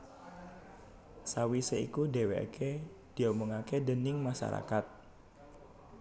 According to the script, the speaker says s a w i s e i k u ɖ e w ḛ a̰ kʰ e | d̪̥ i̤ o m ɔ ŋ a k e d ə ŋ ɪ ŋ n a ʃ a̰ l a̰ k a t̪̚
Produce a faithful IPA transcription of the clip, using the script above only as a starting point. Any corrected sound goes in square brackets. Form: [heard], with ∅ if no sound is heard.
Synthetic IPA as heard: s a w i s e i k u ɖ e w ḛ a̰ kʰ e | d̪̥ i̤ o m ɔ ŋ a k e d ə [n] ɪ ŋ [m] a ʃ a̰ [ɾ] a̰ k a t̪̚